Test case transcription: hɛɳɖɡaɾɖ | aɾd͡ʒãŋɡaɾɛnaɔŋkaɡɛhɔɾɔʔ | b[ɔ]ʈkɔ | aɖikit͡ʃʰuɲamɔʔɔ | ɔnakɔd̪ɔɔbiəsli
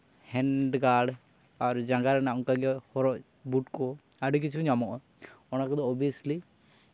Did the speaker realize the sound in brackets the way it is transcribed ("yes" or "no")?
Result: no